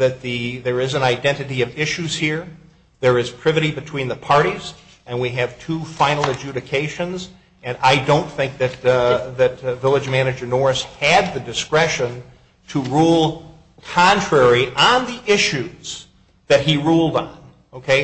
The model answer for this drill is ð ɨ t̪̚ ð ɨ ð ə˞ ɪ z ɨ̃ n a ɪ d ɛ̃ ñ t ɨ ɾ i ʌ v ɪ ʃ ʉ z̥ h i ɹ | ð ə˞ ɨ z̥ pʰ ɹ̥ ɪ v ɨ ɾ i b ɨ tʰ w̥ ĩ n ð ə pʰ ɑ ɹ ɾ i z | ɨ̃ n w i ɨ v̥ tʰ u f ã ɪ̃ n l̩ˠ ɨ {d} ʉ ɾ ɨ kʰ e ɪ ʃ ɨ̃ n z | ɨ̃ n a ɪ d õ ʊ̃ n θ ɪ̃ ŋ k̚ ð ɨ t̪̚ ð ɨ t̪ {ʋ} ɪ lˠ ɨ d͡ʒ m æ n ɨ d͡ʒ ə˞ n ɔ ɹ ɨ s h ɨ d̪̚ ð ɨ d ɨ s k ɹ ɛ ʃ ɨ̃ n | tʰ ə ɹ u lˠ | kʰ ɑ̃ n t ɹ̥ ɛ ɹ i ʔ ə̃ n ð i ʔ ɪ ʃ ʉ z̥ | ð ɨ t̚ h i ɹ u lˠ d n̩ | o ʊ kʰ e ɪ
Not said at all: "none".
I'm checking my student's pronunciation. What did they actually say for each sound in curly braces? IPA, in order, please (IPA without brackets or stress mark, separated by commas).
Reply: d͡ʒ, v